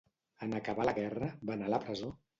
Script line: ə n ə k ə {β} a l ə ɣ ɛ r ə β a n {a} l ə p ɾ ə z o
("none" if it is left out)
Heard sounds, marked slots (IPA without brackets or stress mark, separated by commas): β, a